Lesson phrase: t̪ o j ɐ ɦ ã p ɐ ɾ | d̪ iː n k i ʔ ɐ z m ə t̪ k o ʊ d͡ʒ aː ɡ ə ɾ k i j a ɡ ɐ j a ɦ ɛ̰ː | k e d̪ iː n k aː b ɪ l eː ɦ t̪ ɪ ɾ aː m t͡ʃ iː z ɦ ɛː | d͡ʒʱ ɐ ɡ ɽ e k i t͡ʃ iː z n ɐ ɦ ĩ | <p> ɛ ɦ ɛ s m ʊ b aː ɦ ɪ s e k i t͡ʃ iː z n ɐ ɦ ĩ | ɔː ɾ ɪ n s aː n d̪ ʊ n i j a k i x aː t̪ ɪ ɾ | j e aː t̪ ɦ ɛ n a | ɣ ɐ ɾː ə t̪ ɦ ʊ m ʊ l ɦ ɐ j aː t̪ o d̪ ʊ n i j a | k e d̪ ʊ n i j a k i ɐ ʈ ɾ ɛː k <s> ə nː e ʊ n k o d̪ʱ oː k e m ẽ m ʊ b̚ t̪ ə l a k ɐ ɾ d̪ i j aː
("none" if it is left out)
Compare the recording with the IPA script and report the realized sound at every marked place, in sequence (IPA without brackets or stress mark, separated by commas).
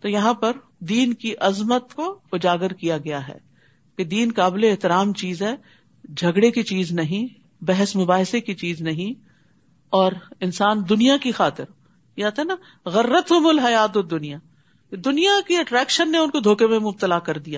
b, ʃ